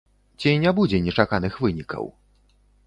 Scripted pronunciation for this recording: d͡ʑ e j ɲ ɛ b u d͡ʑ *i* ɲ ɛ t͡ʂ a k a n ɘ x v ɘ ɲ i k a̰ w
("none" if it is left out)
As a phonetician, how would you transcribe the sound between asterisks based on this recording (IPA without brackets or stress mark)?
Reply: ɛ